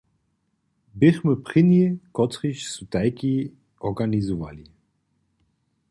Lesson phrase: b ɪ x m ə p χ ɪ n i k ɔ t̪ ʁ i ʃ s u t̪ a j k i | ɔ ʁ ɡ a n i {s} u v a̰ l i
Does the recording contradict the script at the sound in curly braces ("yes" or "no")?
yes